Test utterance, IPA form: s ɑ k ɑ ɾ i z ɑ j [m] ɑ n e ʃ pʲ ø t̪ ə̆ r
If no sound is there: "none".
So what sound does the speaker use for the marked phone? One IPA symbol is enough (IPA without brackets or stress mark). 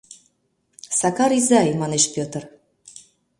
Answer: m